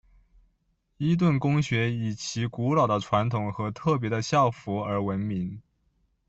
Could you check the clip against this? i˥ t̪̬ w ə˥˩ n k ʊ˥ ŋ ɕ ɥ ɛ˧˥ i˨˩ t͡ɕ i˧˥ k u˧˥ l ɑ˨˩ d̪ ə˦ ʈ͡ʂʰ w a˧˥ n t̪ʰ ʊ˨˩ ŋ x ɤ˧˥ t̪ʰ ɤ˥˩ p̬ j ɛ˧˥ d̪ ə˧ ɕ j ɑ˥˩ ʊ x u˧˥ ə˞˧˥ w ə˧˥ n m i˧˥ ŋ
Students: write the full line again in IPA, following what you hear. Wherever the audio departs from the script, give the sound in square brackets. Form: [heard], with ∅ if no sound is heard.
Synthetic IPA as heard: i˥ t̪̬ w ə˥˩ n k ʊ˥ ŋ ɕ ɥ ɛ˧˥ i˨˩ [t͡ɕʰ] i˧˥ k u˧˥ l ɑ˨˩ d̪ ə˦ ʈ͡ʂʰ w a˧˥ n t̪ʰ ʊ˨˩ ŋ x ɤ˧˥ t̪ʰ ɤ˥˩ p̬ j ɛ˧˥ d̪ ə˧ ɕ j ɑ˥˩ ʊ [f] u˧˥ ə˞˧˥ w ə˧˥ n m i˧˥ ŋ

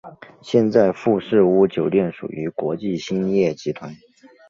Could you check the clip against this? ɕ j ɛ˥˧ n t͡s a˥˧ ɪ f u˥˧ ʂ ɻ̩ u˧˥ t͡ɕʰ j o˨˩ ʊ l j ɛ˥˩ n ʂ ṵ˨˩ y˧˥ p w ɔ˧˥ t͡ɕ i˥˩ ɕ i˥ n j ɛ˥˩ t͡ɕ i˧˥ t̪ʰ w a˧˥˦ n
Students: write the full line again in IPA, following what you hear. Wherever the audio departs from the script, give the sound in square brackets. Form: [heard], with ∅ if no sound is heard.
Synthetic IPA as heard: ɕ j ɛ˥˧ n t͡s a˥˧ ɪ f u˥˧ ʂ ɻ̩ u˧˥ [t͡ɕ] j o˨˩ ʊ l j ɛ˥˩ n ʂ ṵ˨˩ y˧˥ [k] w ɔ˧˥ t͡ɕ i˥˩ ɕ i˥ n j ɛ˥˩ t͡ɕ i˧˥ t̪ʰ w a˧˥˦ n

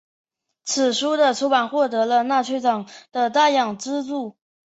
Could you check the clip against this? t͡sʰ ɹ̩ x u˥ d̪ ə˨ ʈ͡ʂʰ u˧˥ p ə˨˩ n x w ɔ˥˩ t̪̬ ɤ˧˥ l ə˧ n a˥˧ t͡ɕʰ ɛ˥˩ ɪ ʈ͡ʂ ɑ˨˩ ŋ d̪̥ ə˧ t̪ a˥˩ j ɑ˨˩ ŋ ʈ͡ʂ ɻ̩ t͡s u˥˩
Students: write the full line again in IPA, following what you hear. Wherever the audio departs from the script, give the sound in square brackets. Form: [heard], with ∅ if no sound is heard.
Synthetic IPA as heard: t͡sʰ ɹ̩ [ʂ] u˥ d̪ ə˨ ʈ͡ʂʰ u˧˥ p [a˨˩] n x w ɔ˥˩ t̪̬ ɤ˧˥ l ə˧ n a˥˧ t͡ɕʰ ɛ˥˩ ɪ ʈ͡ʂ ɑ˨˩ ŋ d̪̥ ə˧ t̪ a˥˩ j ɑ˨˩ ŋ ʈ͡ʂ ɻ̩ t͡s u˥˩

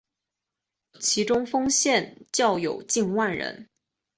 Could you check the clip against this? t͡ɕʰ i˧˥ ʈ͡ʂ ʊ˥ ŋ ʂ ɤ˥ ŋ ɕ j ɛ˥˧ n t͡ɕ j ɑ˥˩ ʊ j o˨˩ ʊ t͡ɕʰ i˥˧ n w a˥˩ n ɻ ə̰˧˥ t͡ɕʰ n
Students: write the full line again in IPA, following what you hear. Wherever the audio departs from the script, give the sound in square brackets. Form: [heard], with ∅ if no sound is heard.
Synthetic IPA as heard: t͡ɕʰ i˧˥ ʈ͡ʂ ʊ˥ ŋ [f] ɤ˥ ŋ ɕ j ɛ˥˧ n t͡ɕ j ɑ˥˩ ʊ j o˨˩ ʊ [t͡ɕ] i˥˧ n w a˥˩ n ɻ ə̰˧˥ [∅] n

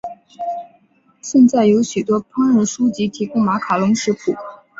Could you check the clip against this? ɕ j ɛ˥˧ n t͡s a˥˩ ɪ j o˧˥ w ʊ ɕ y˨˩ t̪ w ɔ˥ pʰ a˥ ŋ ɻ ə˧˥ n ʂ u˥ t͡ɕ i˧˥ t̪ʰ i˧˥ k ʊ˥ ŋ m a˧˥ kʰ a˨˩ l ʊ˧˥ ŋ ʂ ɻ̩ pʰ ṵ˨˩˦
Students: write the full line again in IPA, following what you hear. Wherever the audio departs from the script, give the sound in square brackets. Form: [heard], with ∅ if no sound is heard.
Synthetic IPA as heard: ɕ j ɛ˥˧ n t͡s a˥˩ ɪ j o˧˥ [∅] ʊ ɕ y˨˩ t̪ w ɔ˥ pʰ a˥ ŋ ɻ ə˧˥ n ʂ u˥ t͡ɕ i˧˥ t̪ʰ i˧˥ k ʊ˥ ŋ m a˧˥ kʰ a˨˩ l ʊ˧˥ ŋ ʂ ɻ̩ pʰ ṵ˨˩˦

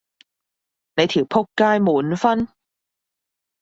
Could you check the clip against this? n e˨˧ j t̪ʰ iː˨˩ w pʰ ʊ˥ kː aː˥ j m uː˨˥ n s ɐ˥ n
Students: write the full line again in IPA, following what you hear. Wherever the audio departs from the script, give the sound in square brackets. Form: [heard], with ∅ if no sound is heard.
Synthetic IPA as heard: n e˨˧ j t̪ʰ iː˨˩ w pʰ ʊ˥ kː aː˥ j m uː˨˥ n [f] ɐ˥ n

